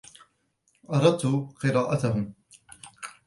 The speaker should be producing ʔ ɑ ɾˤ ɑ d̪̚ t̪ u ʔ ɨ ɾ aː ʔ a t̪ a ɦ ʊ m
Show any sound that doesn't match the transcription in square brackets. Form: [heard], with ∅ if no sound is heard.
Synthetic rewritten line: ʔ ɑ ɾˤ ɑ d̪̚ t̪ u [q] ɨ ɾ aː ʔ a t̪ a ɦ ʊ m